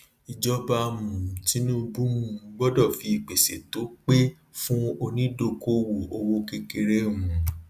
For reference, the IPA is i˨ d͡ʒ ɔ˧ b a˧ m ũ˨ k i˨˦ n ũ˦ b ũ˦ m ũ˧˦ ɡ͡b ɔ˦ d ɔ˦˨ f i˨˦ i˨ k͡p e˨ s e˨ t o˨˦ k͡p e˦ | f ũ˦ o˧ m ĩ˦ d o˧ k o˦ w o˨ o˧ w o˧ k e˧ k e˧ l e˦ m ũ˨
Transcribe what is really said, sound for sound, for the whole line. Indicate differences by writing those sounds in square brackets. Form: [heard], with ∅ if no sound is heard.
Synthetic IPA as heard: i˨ d͡ʒ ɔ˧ b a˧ m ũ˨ [t] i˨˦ n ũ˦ b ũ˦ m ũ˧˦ ɡ͡b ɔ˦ d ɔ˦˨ f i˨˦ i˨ k͡p e˨ s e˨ t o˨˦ k͡p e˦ | f ũ˦ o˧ [n] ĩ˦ d o˧ k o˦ w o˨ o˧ w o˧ k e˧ k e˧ [ɾ] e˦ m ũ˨